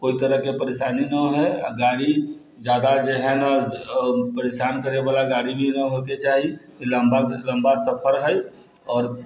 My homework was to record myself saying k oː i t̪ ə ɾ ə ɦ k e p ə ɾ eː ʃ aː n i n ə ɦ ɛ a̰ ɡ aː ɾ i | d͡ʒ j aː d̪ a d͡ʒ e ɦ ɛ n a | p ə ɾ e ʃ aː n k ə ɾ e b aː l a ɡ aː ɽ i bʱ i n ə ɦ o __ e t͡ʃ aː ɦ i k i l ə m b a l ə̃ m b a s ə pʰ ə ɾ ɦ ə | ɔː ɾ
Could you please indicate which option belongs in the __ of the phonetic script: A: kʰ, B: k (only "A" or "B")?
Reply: B